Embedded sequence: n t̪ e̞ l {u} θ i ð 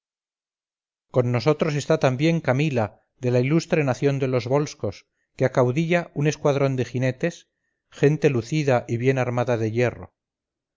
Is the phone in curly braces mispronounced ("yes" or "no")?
no